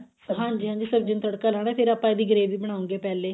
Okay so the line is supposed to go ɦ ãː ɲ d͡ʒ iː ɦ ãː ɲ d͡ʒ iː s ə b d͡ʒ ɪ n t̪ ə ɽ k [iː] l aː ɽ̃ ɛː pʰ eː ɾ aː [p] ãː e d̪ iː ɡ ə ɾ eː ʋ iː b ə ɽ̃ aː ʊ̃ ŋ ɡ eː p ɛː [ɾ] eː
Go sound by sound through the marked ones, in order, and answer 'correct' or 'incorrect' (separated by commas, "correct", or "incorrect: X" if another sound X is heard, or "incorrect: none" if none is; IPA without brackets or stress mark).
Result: incorrect: aː, correct, incorrect: l